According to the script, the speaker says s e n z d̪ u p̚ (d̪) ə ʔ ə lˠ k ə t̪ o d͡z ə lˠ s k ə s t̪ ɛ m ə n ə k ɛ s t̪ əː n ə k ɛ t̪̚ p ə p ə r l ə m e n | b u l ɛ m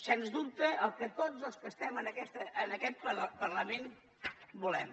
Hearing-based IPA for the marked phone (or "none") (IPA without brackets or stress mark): t̪